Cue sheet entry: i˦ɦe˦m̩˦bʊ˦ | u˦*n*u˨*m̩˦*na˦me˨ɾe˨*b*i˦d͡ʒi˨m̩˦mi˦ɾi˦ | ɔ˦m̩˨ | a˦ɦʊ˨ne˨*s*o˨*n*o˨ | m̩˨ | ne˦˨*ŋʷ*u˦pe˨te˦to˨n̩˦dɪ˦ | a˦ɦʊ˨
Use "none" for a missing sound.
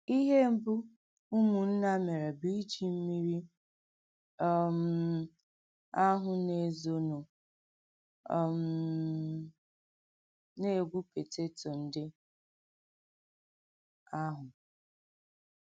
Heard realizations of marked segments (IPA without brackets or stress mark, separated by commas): m, n̩˦, b, z, n, ɡʷ